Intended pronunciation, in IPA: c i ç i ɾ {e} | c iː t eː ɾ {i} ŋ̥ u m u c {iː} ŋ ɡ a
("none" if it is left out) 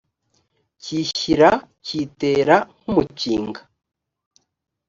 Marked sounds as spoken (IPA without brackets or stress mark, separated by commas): a, a, iː